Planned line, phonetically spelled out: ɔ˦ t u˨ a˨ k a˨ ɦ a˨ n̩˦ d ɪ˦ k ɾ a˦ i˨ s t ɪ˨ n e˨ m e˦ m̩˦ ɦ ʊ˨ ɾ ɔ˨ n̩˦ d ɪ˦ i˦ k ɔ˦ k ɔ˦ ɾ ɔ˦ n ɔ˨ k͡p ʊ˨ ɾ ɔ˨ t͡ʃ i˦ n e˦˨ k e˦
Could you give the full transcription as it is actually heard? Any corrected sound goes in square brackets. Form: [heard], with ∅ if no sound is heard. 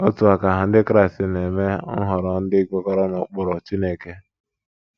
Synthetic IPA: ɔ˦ t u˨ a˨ k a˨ ɦ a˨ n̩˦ d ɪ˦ k ɾ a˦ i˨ s t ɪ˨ n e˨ m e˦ [ŋ̩˦] ɦ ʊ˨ ɾ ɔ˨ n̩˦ d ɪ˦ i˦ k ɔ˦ k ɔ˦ ɾ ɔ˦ n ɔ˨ k͡p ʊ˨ ɾ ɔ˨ t͡ʃ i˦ n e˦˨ k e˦

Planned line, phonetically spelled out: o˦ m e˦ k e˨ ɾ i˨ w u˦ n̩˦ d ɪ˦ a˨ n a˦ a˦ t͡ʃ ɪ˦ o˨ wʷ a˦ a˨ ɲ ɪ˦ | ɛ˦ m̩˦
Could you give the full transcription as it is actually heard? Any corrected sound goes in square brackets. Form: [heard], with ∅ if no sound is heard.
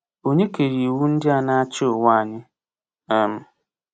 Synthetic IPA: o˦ [ɲ] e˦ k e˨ ɾ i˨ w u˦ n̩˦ d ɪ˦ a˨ n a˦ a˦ t͡ʃ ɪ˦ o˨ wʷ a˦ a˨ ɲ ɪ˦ | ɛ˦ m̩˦

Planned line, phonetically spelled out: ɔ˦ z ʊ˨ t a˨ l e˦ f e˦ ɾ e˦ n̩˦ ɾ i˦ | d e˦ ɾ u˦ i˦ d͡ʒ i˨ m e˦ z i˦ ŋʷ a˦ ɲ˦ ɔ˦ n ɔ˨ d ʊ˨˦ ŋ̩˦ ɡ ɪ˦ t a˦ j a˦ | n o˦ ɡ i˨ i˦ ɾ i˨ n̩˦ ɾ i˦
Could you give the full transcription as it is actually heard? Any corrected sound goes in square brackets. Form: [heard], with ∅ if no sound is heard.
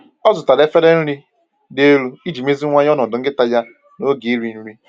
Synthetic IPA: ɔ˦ z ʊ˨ t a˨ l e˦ f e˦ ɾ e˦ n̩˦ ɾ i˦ | d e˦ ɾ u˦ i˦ d͡ʒ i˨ m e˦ z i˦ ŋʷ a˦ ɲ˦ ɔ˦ n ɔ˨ d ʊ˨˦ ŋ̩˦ ɡ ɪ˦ t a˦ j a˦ | n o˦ ɡ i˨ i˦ ɾ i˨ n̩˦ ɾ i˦

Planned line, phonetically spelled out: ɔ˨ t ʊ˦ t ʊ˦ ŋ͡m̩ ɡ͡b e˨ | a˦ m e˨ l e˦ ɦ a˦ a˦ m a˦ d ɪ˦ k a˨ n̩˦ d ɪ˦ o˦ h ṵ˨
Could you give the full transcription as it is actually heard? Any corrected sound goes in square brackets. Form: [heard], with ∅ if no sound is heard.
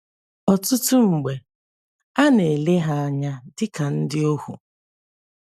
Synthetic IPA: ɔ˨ t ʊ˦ t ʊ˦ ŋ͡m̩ ɡ͡b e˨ | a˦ [n] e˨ l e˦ ɦ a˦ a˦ [ɲ] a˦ d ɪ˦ k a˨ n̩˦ d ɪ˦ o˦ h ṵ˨

